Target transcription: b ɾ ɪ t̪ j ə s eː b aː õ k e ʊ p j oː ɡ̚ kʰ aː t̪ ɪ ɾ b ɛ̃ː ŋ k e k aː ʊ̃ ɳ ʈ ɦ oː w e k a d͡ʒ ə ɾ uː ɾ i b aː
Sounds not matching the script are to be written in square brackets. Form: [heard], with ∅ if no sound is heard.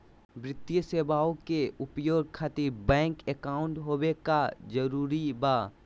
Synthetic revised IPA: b ɾ ɪ t̪ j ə s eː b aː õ k e ʊ p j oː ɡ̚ kʰ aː t̪ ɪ ɾ b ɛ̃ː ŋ k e k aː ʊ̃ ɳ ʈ ɦ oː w e k a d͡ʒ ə ɾ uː ɾ i b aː